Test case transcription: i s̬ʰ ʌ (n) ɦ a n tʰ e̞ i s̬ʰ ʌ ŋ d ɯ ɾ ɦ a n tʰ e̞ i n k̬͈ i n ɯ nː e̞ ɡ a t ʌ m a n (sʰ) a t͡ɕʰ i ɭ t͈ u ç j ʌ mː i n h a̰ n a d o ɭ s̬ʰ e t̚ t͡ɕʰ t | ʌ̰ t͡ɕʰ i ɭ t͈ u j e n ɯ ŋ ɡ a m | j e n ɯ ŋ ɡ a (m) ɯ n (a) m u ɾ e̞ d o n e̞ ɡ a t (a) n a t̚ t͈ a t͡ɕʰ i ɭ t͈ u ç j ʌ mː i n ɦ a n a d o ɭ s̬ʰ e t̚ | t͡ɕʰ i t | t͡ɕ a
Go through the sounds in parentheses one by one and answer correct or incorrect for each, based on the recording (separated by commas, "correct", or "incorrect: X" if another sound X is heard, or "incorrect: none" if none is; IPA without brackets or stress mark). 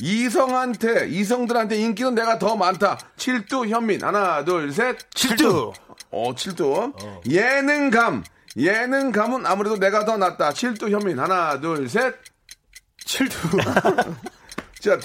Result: incorrect: ŋ, incorrect: tʰ, correct, correct, incorrect: ʌ